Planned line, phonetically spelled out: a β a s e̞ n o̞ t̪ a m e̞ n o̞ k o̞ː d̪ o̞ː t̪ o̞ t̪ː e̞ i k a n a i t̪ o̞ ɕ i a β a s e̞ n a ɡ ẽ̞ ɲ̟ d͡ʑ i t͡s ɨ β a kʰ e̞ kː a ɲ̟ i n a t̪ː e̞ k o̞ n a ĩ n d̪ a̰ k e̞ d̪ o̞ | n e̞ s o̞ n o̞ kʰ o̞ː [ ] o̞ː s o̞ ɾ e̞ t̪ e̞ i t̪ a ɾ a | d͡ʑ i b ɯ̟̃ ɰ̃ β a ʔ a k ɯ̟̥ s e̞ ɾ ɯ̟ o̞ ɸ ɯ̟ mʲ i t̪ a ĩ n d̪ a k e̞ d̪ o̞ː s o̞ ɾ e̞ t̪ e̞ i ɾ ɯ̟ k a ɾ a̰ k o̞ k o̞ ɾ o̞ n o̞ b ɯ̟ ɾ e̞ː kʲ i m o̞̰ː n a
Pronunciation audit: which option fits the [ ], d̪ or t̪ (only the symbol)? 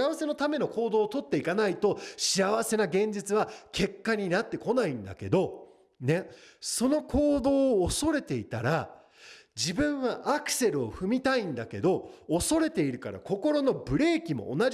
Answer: d̪